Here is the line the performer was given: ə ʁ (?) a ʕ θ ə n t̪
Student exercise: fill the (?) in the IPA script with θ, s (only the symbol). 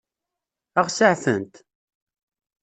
s